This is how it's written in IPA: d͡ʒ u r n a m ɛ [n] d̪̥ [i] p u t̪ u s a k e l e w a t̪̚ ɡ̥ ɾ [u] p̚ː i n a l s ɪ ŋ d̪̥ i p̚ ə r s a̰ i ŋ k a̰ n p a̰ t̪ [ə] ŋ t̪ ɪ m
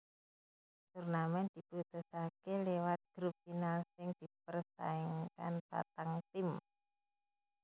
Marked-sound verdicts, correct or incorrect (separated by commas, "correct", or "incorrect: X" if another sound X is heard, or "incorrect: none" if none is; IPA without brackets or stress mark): correct, correct, correct, incorrect: a